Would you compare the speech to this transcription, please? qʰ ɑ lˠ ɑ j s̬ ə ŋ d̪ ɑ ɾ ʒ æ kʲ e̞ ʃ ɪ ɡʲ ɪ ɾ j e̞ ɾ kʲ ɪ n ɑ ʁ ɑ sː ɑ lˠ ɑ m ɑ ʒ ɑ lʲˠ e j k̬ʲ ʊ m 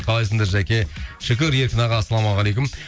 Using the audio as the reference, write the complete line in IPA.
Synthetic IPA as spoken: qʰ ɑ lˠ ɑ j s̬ ə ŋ d̪ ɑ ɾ ʒ æ kʲ e̞ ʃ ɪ kʲ ɪ ɾ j e̞ ɾ kʲ ɪ n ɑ ʁ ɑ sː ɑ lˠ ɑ m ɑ ʁ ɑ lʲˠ e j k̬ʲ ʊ m